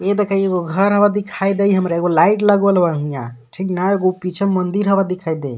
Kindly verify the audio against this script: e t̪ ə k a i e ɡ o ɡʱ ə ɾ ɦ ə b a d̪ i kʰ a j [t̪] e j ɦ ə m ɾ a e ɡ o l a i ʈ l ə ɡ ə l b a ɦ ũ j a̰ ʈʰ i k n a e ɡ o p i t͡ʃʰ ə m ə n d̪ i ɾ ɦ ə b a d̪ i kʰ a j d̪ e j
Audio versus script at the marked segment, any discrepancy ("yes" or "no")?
yes